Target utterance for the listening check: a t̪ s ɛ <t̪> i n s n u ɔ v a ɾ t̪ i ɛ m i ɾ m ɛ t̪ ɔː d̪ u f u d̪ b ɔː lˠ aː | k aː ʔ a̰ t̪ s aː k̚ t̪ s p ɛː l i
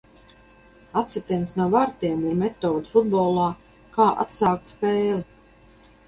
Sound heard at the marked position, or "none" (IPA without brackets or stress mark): t̪